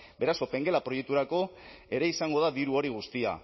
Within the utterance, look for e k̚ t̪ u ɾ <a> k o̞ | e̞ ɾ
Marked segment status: correct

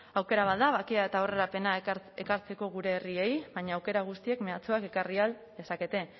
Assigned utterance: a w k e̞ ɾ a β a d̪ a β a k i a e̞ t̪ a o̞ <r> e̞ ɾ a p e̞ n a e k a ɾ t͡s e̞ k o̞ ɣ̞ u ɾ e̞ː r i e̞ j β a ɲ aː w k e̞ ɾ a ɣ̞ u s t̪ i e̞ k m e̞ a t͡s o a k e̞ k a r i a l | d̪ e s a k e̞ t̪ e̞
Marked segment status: correct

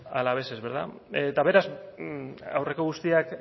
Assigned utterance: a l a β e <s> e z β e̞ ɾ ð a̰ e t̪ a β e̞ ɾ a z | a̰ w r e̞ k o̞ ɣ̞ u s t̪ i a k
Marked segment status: correct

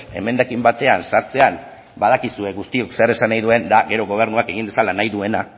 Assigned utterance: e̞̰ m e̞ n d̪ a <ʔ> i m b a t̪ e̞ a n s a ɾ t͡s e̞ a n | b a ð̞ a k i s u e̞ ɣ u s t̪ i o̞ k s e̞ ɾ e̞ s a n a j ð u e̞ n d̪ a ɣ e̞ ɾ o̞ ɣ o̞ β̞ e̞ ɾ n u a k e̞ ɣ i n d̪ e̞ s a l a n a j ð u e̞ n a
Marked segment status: incorrect: k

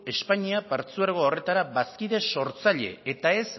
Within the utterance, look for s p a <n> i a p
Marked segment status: incorrect: ɲ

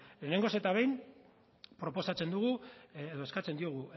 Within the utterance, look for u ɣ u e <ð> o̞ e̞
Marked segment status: correct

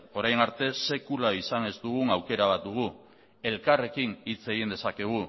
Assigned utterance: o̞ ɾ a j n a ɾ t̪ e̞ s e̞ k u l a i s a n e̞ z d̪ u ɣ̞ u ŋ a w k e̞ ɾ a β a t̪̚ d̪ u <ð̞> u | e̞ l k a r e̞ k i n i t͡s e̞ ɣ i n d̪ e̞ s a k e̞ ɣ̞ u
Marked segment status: incorrect: ɣ̞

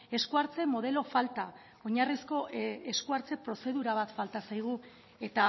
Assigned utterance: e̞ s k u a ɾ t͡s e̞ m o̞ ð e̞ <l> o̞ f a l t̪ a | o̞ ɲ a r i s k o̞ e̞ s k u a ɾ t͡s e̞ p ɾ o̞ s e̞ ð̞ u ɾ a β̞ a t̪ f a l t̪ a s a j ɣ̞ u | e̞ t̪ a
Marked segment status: correct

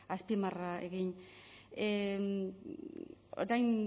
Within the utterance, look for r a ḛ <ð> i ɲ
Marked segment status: incorrect: ɣ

